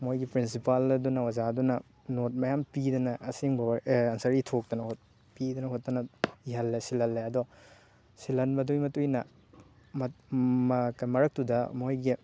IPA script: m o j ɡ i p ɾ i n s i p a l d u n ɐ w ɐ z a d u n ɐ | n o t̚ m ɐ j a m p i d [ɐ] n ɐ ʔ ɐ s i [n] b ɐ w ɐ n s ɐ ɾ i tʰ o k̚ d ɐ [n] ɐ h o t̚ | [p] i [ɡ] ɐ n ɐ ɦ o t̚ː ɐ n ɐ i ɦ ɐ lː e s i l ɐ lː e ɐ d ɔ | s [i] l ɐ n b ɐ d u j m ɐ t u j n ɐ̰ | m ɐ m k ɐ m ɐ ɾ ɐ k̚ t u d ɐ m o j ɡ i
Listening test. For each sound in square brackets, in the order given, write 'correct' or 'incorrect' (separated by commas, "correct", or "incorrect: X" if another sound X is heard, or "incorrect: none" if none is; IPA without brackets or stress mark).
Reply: correct, incorrect: ŋ, correct, correct, incorrect: d, correct